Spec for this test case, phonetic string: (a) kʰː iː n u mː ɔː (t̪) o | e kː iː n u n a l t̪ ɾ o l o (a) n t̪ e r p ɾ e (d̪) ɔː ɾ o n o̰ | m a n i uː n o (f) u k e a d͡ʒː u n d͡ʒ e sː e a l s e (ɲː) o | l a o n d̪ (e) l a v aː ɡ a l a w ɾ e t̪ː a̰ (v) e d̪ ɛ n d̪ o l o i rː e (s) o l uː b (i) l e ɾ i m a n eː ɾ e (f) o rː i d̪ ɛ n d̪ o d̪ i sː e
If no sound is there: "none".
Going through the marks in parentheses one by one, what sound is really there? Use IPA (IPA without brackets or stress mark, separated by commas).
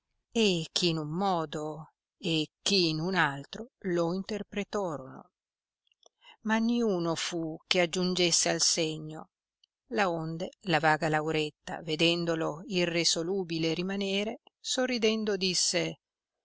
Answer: e, d̪, i, t̪, f, ɲː, e, v, s, i, s